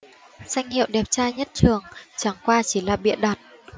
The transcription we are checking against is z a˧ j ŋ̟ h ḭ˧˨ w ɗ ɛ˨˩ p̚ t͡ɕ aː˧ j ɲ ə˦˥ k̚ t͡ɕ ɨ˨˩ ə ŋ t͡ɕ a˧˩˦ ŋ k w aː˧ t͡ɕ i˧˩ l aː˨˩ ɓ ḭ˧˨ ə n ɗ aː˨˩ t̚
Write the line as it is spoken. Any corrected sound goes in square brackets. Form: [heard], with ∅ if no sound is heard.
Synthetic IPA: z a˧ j ŋ̟ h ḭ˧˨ w ɗ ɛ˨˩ p̚ t͡ɕ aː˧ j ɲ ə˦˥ [t̚] t͡ɕ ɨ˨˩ ə ŋ t͡ɕ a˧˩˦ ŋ k w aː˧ t͡ɕ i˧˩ l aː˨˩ ɓ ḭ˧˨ ə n ɗ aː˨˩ t̚